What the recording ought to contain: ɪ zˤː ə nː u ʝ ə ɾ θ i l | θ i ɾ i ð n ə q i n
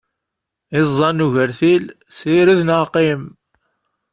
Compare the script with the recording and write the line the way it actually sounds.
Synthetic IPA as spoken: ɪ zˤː ɑ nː u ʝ ə ɾ θ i l | s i ɾ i ð n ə q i m